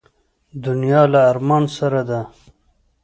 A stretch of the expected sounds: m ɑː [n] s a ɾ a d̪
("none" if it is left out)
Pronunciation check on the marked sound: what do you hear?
n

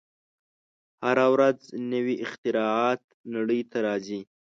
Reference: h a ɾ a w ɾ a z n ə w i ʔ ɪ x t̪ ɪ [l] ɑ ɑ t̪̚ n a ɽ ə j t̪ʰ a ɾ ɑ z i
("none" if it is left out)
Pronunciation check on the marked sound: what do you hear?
ɾ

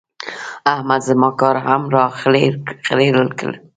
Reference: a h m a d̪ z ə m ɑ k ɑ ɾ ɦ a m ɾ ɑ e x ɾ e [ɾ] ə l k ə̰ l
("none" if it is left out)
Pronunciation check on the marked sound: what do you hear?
ɾ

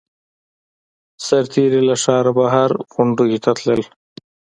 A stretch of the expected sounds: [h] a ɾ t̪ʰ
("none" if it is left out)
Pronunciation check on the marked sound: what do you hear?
s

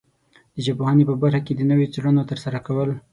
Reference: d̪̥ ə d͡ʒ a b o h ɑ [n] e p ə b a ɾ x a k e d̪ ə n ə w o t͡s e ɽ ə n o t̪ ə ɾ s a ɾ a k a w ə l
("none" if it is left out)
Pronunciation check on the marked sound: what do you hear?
n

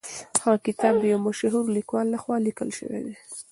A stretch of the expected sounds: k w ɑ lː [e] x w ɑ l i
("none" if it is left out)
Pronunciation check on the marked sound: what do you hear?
a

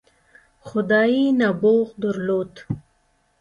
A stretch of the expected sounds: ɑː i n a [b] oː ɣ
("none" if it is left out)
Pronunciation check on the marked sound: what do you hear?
b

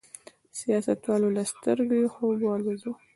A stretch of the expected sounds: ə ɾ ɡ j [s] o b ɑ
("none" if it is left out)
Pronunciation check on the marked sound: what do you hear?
x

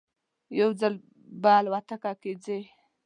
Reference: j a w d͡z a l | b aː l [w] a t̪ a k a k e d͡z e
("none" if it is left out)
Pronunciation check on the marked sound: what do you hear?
w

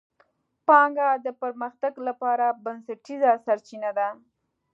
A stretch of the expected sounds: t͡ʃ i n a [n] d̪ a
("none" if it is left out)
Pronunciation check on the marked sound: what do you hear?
none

